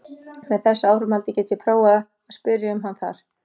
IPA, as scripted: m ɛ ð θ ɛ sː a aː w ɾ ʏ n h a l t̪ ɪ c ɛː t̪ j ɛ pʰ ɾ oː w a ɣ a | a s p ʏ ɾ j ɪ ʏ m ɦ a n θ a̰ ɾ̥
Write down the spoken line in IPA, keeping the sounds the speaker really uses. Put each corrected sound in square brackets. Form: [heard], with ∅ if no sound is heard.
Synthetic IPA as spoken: m ɛ ð θ ɛ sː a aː w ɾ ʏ [m] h a l t̪ ɪ c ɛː t̪ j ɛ pʰ ɾ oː w a [ð] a | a s p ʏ ɾ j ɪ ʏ m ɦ a n θ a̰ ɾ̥